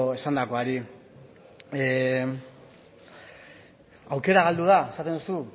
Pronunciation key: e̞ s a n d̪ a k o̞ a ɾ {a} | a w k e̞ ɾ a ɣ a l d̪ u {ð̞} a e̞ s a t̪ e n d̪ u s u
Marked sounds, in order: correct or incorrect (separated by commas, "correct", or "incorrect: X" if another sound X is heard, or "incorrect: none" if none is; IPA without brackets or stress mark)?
incorrect: i, correct